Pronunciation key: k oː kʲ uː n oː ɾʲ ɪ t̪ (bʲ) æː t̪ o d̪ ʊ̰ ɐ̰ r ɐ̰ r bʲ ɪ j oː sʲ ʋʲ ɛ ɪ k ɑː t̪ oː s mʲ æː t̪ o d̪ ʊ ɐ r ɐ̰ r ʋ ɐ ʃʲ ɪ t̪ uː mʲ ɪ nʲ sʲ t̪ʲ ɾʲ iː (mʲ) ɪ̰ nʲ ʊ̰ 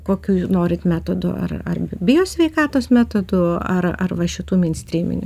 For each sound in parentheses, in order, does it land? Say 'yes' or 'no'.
no, yes

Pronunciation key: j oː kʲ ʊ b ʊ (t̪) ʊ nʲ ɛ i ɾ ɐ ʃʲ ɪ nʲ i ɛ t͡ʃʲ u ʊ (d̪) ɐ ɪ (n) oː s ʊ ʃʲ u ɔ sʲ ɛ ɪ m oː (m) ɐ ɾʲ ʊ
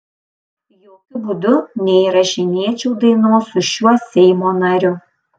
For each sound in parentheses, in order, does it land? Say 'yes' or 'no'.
no, yes, yes, no

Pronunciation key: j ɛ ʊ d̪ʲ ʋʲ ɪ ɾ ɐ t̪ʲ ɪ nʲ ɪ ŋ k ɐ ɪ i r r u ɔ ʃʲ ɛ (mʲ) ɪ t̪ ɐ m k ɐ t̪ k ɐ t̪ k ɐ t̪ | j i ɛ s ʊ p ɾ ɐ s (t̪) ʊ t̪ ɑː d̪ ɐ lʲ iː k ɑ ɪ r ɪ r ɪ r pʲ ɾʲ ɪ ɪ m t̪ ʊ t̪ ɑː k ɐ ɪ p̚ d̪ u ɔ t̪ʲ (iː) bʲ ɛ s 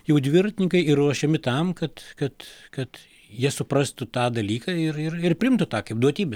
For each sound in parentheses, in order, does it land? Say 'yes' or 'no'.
yes, yes, yes

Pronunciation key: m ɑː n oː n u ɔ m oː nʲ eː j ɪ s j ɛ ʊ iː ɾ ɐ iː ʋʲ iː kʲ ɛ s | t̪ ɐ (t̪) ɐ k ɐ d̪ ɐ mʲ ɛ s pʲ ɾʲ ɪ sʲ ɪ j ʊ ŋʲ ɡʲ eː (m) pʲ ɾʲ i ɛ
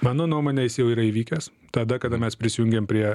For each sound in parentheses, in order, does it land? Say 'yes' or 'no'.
no, yes

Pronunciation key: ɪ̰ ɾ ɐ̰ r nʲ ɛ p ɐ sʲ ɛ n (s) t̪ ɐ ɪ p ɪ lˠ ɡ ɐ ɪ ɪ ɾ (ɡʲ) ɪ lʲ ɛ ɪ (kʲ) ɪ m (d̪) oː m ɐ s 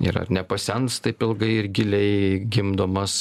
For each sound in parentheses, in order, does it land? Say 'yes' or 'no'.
yes, yes, no, yes

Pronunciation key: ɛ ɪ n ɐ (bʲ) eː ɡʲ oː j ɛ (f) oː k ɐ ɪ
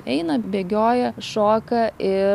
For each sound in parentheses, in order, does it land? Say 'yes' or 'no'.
yes, no

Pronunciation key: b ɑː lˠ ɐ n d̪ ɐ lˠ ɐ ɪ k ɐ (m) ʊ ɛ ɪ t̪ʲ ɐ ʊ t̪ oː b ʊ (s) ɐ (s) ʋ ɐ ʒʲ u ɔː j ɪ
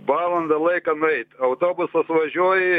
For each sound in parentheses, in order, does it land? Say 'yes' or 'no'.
no, yes, yes

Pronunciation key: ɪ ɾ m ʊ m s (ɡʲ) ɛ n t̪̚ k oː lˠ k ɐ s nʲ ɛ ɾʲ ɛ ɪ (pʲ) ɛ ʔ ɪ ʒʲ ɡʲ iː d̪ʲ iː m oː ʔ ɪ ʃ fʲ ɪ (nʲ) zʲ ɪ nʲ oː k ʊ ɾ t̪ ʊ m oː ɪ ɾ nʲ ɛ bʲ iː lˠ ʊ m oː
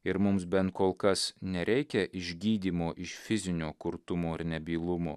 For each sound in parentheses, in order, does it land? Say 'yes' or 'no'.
no, no, no

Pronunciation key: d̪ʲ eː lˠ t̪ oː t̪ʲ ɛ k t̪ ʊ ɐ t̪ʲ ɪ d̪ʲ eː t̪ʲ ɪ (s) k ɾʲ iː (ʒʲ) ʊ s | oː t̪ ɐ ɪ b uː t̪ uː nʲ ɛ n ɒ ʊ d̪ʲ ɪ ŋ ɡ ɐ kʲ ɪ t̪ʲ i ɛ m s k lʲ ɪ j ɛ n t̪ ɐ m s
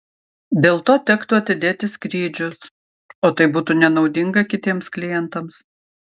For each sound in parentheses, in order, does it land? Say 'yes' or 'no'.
yes, no

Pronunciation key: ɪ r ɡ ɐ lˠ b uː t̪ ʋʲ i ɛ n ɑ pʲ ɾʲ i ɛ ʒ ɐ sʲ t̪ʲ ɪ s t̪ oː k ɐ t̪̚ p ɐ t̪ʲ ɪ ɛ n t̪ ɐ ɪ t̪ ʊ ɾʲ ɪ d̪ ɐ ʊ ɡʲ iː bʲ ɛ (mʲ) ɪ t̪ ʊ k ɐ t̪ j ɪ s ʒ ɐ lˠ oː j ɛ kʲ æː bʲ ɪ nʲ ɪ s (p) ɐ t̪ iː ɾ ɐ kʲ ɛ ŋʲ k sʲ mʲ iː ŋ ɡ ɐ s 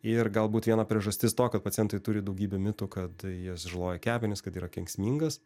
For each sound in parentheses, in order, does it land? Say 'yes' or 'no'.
yes, no

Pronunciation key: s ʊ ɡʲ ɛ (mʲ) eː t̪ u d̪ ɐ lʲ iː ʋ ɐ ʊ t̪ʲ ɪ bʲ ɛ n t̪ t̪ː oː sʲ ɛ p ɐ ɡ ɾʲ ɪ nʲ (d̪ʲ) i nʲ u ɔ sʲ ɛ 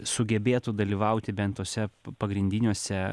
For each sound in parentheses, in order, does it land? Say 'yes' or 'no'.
no, yes

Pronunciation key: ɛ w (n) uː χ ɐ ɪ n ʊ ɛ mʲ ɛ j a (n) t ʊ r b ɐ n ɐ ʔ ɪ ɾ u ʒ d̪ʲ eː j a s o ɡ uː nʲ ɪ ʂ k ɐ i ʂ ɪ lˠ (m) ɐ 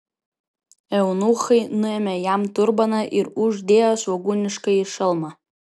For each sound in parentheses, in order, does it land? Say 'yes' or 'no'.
yes, no, yes

